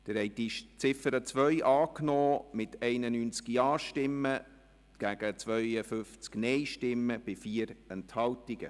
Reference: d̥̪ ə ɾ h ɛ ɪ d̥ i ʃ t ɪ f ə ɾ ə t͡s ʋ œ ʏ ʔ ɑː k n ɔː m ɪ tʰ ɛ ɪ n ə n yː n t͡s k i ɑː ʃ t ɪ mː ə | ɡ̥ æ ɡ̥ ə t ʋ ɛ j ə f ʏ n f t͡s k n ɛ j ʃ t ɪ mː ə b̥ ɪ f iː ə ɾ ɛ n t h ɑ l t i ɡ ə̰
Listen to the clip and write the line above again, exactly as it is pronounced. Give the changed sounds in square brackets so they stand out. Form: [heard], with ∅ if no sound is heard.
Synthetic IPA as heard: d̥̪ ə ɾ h ɛ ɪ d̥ i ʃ [t͡s] ɪ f ə ɾ ə t͡s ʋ œ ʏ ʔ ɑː k n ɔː m ɪ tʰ ɛ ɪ n ə n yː n t͡s k i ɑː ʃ t ɪ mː ə | ɡ̥ æ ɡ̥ ə [t͡s] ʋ [œ] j ə f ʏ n f t͡s k n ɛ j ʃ t ɪ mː ə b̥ ɪ f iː ə ɾ ɛ n t h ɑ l t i ɡ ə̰